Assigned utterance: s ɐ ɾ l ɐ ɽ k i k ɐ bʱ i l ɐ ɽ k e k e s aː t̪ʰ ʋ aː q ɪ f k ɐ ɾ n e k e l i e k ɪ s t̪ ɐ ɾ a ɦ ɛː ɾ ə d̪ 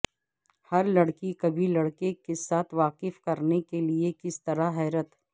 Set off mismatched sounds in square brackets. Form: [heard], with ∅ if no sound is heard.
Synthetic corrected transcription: [h] ɐ ɾ l ɐ ɽ k i k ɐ bʱ i l ɐ ɽ k e k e s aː t̪ʰ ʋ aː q ɪ f k ɐ ɾ n e k e l i e k ɪ s t̪ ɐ ɾ a ɦ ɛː ɾ ə [t̪]